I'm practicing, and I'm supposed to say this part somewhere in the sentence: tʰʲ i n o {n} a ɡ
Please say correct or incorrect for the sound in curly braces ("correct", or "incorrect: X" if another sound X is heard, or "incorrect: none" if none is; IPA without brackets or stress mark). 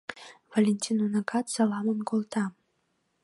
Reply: correct